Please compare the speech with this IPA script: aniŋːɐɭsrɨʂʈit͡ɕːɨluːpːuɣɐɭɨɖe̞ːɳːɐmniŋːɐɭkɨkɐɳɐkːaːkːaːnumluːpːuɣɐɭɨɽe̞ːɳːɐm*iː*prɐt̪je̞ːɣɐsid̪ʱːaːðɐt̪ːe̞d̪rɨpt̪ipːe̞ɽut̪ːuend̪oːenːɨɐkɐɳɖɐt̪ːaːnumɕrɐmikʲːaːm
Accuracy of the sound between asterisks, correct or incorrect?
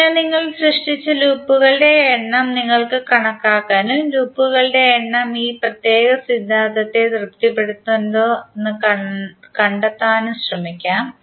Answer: correct